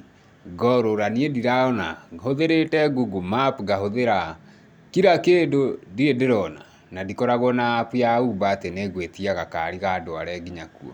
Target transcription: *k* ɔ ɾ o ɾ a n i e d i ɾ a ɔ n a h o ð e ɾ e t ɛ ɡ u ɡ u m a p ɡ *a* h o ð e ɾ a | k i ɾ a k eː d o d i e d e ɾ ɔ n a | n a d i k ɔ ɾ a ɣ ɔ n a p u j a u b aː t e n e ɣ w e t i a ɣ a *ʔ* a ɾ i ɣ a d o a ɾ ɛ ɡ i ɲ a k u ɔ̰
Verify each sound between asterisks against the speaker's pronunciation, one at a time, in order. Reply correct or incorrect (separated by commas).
incorrect, correct, incorrect